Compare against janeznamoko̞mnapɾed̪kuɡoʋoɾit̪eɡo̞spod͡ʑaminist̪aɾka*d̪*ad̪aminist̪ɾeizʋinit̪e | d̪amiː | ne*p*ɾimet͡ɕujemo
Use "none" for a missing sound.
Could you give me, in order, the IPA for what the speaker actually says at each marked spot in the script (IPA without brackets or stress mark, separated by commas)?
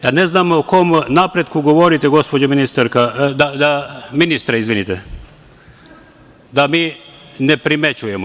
d̪, p